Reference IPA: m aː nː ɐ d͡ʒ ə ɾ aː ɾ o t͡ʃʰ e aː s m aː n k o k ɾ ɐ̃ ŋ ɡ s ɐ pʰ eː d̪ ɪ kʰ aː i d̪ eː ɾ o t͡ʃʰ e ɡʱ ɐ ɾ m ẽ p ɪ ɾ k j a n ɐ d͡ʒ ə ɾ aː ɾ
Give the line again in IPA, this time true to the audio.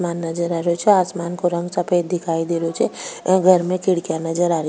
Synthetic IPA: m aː nː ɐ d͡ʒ ə ɾ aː ɾ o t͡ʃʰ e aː s m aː n k o ɾ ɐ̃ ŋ ɡ s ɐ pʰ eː d̪ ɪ kʰ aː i d̪ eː ɾ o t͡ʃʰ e ɡʱ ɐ ɾ m ẽ k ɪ ɽ k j a n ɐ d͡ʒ ə ɾ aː ɾ